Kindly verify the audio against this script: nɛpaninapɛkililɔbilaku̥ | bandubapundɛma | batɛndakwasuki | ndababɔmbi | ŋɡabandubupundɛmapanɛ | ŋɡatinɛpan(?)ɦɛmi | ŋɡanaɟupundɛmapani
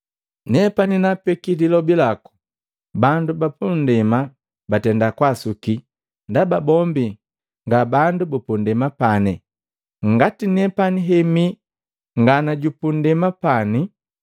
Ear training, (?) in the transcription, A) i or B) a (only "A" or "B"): A